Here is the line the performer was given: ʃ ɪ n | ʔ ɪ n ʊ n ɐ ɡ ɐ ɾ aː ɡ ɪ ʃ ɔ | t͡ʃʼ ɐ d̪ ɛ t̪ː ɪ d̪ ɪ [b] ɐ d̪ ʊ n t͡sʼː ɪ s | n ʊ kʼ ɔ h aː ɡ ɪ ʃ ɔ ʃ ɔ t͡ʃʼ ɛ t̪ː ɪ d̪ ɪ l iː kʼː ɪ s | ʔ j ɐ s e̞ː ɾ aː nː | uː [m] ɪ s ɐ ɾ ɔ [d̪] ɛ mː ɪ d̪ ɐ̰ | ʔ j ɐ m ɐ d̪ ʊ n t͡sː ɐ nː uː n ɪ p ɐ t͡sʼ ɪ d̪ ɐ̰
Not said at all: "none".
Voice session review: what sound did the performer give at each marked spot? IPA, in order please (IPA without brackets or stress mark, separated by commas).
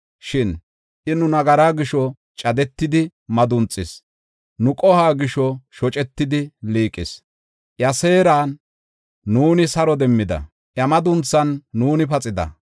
m, n, d̪